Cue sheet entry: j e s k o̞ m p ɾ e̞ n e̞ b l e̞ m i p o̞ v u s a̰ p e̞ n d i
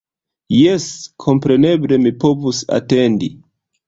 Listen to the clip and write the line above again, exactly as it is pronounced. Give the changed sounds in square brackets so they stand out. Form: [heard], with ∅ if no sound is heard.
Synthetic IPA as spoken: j e s [kʰ] o̞ m p ɾ e̞ n e̞ b l e̞ m i p o̞ v u s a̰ [t] e̞ n d i